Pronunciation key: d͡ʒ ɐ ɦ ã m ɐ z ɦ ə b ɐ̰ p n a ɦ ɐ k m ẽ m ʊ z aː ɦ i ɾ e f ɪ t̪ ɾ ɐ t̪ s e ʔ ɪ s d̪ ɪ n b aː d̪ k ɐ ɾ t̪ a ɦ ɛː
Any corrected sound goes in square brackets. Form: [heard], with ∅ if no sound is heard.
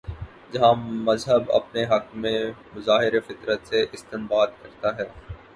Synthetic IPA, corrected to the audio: d͡ʒ ɐ ɦ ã m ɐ z ɦ ə b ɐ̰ p n [e] ɦ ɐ k m ẽ m ʊ z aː ɦ [ɪ] ɾ e f ɪ t̪ ɾ [ə] t̪ s e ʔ ɪ s [t̪] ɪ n b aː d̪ k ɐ ɾ t̪ a ɦ ɛː

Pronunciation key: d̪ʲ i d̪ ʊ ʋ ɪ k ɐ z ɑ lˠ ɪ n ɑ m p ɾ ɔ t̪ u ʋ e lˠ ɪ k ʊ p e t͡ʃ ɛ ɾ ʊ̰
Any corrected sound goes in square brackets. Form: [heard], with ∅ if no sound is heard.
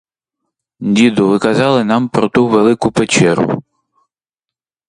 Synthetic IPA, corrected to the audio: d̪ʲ i d̪ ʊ ʋ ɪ k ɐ z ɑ lˠ ɪ n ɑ m p ɾ ɔ t̪ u ʋ e lˠ ɪ k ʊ p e t͡ʃ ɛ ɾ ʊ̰

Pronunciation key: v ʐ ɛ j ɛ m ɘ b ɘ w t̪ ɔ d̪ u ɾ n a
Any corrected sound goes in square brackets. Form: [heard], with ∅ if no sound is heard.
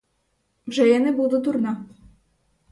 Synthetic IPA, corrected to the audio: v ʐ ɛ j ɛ [n] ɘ b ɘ w [d̪] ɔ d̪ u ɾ n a

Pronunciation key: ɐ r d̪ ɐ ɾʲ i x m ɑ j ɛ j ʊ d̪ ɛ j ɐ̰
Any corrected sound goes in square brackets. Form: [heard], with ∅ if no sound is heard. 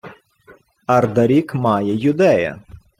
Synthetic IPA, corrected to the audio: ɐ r d̪ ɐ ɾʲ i [k] m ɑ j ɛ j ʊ d̪ ɛ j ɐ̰

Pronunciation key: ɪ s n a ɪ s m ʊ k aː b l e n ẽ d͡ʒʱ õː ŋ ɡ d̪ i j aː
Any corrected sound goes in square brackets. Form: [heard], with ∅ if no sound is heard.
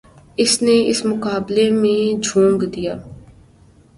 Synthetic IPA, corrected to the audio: ɪ s n [e] ɪ s m ʊ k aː b l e [m] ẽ d͡ʒʱ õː ŋ ɡ d̪ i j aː

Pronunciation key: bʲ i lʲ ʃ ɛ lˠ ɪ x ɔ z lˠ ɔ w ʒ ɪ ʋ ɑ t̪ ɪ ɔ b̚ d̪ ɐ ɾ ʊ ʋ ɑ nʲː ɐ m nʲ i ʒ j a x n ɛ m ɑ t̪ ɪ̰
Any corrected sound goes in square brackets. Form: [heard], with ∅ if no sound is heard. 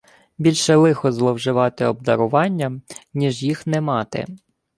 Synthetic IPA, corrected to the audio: bʲ i lʲ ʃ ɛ lˠ ɪ x ɔ z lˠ ɔ w ʒ ɪ ʋ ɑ t̪ ɪ ɔ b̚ d̪ ɐ ɾ ʊ ʋ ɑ nʲː ɐ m nʲ i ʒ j [i] x n ɛ m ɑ t̪ ɪ̰

